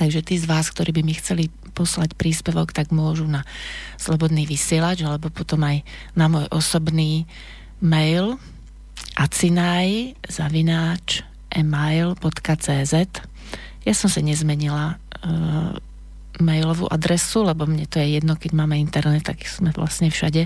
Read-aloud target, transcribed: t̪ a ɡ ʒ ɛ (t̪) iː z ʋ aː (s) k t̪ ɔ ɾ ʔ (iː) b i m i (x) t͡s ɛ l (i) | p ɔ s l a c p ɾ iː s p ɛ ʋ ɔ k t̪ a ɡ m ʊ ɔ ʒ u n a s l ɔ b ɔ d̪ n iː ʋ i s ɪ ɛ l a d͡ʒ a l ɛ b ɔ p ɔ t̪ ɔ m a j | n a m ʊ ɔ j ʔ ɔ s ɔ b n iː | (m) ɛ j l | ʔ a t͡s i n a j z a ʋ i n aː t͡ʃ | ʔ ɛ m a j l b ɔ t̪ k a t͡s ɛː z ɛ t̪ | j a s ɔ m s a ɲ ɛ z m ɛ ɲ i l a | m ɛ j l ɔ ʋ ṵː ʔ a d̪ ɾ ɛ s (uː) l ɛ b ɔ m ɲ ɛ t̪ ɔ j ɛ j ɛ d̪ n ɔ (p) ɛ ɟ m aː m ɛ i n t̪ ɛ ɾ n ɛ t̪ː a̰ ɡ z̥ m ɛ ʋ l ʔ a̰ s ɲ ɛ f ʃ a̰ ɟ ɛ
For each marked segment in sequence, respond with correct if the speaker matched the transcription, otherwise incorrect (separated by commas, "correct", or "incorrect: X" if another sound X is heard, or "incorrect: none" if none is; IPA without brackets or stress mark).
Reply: correct, correct, correct, correct, correct, correct, incorrect: u, incorrect: k